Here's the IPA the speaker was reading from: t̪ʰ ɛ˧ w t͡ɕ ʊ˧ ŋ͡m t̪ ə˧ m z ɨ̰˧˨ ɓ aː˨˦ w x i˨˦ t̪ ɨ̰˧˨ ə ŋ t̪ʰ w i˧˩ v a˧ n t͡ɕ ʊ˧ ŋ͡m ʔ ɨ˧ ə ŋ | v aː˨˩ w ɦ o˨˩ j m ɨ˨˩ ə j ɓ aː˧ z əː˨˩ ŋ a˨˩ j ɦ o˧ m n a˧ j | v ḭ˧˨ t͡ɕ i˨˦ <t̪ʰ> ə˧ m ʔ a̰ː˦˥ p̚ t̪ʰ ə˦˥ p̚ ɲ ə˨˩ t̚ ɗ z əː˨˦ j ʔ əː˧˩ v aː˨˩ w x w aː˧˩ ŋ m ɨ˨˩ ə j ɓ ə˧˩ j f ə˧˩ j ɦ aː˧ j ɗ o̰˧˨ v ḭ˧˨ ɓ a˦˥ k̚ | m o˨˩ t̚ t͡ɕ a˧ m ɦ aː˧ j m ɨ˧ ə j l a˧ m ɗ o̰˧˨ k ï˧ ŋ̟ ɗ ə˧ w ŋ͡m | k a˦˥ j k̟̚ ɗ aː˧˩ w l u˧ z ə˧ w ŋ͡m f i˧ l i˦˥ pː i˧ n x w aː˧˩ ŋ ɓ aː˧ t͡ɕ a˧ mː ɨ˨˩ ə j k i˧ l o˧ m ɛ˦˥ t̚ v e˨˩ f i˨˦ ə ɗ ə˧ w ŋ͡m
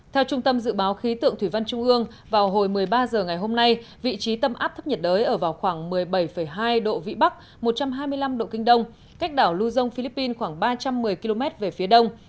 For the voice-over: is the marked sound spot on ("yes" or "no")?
no